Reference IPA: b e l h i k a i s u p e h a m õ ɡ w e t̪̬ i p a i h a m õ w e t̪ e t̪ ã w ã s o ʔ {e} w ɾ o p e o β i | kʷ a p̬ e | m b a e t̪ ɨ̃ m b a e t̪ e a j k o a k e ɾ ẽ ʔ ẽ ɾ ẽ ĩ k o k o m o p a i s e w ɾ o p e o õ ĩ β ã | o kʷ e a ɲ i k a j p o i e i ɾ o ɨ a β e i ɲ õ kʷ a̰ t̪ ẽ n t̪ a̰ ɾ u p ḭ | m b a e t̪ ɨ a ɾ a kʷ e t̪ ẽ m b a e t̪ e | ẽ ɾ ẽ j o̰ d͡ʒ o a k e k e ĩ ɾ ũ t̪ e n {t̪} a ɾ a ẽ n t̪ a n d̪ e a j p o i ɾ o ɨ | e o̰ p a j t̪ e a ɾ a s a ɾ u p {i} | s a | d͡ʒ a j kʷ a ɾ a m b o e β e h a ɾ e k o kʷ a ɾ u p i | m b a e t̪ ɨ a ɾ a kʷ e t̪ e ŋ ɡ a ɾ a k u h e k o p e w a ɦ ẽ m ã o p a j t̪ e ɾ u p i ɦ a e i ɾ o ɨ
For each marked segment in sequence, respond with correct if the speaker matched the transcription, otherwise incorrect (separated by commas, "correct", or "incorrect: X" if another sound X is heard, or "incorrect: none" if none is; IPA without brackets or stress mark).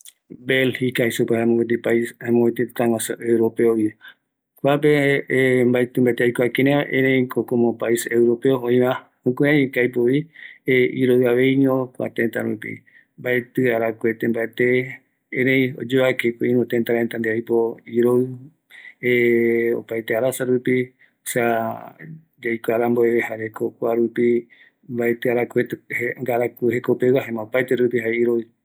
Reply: correct, correct, correct